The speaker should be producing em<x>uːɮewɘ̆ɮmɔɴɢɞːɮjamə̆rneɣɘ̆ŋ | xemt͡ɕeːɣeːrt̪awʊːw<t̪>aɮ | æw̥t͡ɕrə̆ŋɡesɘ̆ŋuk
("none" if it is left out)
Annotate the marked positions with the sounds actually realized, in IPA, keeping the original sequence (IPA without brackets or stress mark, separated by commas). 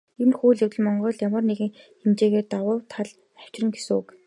x, t̪ʰ